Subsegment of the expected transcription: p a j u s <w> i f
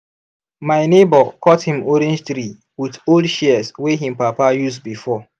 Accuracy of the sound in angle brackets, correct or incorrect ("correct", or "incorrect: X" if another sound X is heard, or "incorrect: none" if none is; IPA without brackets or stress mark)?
incorrect: b